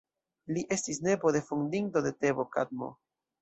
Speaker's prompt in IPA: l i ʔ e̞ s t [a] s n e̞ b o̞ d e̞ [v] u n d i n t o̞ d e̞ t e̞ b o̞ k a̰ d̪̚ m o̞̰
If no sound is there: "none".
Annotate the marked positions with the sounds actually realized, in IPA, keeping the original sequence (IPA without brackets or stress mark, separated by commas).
i, f